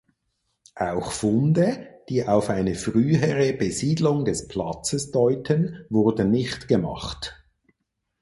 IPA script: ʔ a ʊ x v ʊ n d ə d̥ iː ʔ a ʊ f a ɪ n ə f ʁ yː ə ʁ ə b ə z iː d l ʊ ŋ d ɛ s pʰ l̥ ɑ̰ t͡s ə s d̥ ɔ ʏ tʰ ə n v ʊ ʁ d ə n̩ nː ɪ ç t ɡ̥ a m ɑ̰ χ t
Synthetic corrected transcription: ʔ a ʊ x f ʊ n d ə d̥ iː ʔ a ʊ f a ɪ n ə f ʁ yː ə ʁ ə b ə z iː d l ʊ ŋ d ɛ s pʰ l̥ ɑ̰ t͡s ə s d̥ ɔ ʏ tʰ ə n v ʊ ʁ d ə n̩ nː ɪ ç t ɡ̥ ə m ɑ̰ χ t